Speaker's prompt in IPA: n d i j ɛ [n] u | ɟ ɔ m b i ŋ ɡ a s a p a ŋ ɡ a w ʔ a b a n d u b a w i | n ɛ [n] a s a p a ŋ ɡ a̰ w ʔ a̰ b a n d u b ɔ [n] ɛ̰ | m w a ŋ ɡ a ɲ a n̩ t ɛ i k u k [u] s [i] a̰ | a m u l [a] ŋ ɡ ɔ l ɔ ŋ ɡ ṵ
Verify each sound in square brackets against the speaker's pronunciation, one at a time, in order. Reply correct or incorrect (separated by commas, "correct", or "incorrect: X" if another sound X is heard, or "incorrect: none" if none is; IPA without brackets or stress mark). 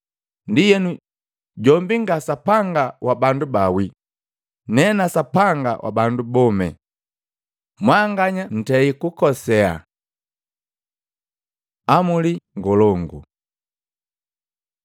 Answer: correct, correct, incorrect: m, incorrect: ɔ, incorrect: ɛ, incorrect: i